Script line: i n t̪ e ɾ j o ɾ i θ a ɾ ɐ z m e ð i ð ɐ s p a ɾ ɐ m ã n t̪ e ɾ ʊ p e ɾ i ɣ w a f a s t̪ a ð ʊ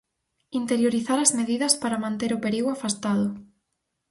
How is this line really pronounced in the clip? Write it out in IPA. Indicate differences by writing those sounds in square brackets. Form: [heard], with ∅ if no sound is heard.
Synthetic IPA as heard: i n t̪ e ɾ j o ɾ i θ a ɾ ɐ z m e ð i ð ɐ s p a ɾ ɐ m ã n t̪ e ɾ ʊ p e ɾ i ɣ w a f a s t̪ a ð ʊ